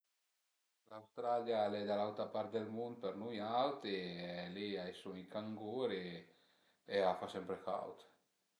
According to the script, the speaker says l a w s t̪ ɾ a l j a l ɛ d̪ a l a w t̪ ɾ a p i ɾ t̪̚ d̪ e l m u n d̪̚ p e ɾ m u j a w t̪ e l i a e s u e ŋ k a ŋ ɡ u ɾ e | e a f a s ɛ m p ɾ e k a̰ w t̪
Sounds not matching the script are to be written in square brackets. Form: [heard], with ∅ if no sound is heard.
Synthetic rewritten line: l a w s t̪ ɾ a l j a l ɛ d̪ a l a w t̪ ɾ a p [a] ɾ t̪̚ d̪ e l m u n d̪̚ p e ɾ [n] u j a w t̪ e l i a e s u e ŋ k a ŋ ɡ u ɾ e | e a f a s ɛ m p ɾ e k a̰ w t̪